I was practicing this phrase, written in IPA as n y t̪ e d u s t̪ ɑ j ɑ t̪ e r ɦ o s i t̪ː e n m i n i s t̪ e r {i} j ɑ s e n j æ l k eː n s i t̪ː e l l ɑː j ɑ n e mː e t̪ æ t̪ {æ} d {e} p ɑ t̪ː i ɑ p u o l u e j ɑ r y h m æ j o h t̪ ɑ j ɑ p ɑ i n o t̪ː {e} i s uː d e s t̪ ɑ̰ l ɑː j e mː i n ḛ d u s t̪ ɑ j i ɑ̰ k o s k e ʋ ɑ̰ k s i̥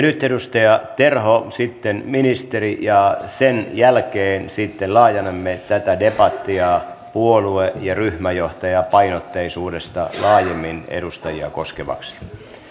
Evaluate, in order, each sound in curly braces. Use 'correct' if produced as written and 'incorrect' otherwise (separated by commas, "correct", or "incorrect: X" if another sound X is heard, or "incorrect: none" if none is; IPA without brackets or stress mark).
correct, correct, correct, correct